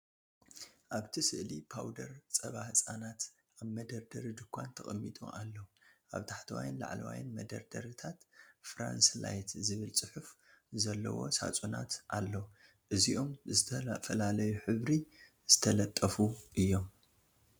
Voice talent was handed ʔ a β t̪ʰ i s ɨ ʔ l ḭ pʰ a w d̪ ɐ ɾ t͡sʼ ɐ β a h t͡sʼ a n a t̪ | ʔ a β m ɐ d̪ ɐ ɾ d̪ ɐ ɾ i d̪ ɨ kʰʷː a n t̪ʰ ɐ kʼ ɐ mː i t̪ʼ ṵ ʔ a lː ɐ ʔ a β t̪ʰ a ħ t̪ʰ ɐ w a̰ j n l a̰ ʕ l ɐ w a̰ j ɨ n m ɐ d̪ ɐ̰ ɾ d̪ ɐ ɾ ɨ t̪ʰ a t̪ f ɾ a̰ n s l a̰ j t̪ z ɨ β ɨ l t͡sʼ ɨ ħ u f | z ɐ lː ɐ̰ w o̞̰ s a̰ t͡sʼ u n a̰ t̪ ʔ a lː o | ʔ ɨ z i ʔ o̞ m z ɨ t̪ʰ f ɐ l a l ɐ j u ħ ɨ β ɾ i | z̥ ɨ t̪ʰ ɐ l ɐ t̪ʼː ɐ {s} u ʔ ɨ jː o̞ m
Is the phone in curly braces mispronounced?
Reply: yes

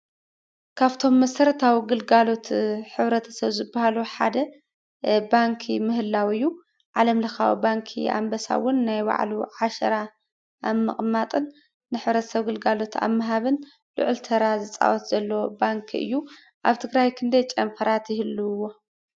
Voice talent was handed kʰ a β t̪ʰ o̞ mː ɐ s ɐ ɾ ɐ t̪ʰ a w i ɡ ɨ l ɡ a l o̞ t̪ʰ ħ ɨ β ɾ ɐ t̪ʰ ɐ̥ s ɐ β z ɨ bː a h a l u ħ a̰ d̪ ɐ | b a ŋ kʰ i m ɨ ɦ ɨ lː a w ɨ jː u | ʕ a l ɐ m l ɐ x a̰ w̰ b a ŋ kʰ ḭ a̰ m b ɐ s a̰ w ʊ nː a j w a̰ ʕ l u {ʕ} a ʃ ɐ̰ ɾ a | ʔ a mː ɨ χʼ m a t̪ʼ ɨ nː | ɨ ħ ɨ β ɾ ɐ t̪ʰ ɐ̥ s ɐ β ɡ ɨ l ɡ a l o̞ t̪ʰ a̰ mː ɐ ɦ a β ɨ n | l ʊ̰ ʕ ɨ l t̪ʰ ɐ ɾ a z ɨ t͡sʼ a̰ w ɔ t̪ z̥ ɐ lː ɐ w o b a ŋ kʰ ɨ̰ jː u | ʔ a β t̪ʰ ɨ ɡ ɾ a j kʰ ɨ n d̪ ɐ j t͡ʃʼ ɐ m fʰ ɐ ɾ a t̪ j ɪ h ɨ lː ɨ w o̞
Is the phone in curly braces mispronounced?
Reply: no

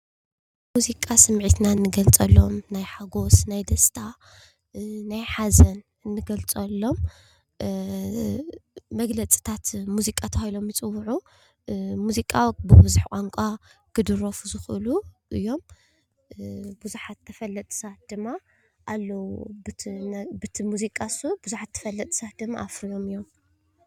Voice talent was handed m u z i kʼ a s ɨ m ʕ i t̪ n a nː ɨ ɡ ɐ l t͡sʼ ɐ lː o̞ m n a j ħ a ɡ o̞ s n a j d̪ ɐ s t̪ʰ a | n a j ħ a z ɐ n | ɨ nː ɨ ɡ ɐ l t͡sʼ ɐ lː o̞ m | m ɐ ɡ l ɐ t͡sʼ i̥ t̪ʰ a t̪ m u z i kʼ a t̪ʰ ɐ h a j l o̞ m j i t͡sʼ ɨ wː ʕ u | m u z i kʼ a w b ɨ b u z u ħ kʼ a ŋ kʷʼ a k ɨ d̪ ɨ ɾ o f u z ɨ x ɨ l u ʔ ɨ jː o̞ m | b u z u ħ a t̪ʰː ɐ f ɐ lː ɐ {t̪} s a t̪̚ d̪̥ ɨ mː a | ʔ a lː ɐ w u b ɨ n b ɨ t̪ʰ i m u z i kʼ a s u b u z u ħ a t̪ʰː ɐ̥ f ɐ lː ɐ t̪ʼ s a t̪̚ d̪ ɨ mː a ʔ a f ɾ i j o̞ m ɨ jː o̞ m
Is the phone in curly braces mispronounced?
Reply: yes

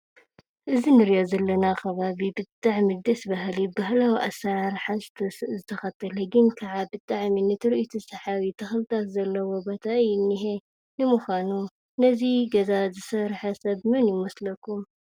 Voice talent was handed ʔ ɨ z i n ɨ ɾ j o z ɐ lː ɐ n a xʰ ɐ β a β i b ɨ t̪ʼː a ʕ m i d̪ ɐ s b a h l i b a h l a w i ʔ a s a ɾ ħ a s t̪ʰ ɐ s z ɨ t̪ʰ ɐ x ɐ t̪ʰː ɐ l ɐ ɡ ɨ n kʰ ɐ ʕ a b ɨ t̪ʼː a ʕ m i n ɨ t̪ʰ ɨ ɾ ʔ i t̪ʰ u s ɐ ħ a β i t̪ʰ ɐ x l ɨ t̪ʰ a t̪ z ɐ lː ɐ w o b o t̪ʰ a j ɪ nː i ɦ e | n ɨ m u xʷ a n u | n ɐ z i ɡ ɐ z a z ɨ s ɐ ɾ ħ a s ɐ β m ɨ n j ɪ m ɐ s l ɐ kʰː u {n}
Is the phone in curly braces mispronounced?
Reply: yes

